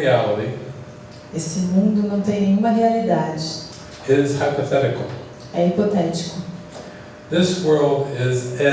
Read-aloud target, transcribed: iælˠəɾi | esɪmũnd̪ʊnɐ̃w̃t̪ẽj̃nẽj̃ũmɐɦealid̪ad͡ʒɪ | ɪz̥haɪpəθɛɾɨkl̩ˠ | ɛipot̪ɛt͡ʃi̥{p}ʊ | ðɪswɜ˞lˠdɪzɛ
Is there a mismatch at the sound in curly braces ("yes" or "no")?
yes